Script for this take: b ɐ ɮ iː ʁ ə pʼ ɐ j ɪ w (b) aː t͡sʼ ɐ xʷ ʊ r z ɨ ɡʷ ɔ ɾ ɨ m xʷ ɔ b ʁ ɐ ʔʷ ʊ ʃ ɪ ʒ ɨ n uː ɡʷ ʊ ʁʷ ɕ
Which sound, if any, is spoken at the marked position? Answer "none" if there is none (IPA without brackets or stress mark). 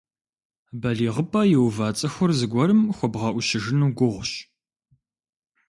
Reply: v